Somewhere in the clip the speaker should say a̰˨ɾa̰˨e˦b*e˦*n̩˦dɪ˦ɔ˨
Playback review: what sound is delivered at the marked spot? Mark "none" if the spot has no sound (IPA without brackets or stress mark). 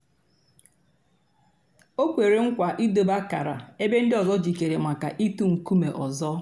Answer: e˦